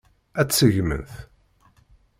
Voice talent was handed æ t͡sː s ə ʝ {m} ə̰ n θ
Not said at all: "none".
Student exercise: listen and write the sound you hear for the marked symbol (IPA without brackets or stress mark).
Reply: m